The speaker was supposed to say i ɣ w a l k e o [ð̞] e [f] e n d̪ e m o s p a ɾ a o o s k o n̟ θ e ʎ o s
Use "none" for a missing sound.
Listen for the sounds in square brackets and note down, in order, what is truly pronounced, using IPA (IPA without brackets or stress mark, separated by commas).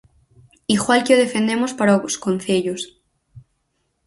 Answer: ð̞, f